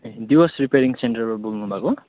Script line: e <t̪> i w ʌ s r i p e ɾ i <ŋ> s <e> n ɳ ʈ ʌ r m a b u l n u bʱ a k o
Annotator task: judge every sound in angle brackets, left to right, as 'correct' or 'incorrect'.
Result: incorrect: d̪, correct, correct

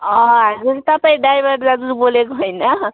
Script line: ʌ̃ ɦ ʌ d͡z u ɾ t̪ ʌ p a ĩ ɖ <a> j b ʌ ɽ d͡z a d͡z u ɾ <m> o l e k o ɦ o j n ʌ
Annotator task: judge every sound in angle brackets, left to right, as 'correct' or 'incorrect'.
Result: correct, incorrect: b

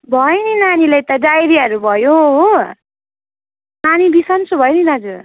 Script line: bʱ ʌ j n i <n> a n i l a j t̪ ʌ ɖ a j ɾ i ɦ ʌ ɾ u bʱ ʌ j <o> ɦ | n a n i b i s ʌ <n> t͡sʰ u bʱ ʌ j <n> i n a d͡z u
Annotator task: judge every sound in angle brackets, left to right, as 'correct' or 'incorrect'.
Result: correct, correct, correct, correct

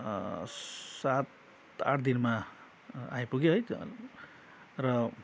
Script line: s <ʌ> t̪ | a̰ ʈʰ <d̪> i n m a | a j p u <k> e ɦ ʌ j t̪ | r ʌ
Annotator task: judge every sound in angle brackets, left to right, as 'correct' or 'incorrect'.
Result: incorrect: a, correct, incorrect: ɡ

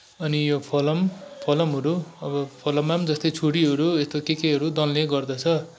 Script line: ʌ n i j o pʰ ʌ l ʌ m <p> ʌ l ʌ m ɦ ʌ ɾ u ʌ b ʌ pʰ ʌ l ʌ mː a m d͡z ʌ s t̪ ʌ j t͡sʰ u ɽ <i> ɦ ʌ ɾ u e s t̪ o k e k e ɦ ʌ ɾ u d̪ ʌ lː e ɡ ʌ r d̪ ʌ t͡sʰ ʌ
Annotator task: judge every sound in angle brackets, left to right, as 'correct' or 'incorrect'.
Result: incorrect: pʰ, correct

